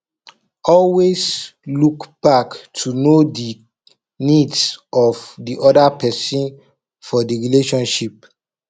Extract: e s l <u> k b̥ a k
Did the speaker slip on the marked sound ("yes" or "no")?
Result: no